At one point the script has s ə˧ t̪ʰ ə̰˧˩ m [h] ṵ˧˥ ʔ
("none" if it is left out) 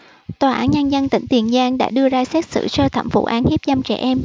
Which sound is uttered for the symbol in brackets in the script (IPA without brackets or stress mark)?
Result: f